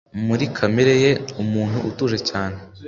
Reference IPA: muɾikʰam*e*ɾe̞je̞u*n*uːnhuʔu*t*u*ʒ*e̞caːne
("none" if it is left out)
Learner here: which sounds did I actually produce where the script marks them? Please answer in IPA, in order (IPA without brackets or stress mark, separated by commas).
e, m, t, ʒ